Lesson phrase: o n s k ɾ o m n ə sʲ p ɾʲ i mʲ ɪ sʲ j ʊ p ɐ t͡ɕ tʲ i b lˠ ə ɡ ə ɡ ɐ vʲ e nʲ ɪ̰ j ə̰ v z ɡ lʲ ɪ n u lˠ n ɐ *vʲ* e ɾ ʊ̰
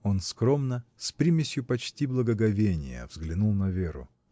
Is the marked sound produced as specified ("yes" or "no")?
yes